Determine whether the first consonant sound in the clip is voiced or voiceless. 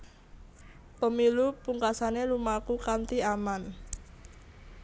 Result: voiceless